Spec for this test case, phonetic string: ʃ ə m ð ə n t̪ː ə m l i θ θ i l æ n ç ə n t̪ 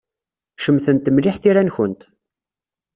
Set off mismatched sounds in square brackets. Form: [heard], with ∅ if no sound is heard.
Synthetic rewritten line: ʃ ə m [θ] ə n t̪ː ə m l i [ħ] θ i [ɾ] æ n ç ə n t̪